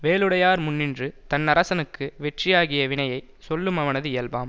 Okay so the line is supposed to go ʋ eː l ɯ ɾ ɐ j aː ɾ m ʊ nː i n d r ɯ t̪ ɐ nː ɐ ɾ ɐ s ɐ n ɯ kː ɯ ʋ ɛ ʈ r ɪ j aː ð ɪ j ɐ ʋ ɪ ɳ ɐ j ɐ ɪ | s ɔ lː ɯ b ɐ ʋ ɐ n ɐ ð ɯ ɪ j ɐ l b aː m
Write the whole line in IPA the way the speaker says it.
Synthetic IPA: ʋ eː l ɯ ɽ ɐ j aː ɾ m ʊ nː ɪ n d r ɯ t̪ ɐ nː ɐ ɾ ɐ s ɐ n ɯ kː ɯ ʋ ɛ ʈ r ɪ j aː ɣ ɪ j ɐ ʋ ɪ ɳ ɐ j ɐ ɪ | s ɔ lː ɯ m ɐ ʋ ɐ n ɐ ð ɯ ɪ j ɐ l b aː m